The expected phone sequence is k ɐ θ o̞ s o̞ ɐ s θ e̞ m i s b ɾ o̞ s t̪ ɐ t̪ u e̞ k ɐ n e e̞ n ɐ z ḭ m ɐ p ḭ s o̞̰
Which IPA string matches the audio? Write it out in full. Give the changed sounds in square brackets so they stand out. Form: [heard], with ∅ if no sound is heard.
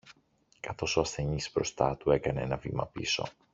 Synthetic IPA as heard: k ɐ θ o̞ s o̞ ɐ s θ e̞ [ɲ] i s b ɾ o̞ s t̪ ɐ t̪ u e̞ k ɐ n e e̞ n ɐ [v] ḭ m ɐ p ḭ s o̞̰